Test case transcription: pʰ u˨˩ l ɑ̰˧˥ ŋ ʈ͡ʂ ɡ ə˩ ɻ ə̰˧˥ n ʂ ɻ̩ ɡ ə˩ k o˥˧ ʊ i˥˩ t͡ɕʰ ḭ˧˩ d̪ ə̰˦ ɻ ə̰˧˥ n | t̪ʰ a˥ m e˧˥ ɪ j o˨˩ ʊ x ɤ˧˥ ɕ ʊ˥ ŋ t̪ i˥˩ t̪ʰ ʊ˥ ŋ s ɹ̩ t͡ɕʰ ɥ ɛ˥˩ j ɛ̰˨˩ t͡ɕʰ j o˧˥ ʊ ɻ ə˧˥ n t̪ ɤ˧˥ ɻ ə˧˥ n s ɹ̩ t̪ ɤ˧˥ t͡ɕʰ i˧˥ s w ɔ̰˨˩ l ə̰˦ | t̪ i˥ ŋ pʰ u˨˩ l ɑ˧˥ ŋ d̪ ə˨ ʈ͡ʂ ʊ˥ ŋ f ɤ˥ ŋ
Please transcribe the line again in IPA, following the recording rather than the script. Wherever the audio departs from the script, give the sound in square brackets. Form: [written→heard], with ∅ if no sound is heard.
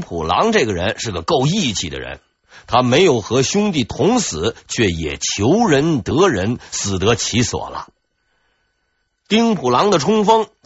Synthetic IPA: pʰ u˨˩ l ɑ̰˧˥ ŋ ʈ͡ʂ ɡ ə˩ ɻ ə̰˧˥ n ʂ ɻ̩ ɡ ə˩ k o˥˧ ʊ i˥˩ t͡ɕʰ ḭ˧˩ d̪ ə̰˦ ɻ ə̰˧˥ n | t̪ʰ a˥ m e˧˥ ɪ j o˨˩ ʊ x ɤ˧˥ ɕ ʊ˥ ŋ t̪ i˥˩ t̪ʰ [ʊ˥→ʊ˧˥] ŋ s ɹ̩ t͡ɕʰ ɥ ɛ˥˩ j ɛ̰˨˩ t͡ɕʰ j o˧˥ ʊ ɻ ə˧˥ n t̪ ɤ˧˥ ɻ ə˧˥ n s ɹ̩ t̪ ɤ˧˥ t͡ɕʰ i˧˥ s w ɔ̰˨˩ l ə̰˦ | t̪ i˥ ŋ pʰ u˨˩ l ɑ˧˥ ŋ d̪ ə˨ [ʈ͡ʂ→ʈ͡ʂʰ] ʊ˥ ŋ f ɤ˥ ŋ